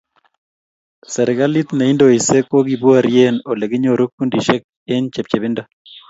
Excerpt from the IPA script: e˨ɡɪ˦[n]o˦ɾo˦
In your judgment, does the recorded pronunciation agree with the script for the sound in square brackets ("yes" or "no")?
no